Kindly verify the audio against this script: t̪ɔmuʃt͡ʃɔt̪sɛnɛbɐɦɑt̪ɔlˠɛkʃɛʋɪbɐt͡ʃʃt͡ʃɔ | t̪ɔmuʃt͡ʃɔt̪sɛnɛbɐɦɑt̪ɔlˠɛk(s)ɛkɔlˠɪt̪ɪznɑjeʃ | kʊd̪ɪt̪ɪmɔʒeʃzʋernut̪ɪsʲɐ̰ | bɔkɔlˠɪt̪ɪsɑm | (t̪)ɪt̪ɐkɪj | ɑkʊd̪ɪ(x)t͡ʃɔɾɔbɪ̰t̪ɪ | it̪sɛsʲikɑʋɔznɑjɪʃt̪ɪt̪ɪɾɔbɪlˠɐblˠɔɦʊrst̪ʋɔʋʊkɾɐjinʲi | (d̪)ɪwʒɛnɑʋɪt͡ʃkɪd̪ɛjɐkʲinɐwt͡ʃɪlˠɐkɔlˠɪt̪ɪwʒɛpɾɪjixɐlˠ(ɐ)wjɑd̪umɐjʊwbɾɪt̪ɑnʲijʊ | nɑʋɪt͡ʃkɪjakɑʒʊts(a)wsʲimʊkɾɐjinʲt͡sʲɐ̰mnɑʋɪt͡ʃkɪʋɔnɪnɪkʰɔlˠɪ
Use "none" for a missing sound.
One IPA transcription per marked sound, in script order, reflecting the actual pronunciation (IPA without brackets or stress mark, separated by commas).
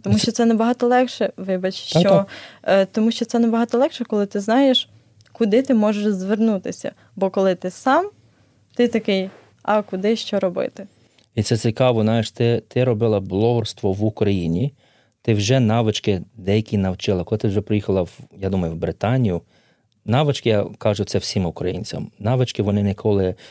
ʃ, t̪, ʃ, t̪, ɐ, ɛ